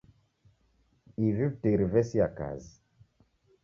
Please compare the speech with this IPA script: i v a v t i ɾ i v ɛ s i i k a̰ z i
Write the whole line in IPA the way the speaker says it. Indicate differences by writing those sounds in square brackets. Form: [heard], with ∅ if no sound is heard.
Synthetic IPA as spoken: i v [i] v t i ɾ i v ɛ s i [a] k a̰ z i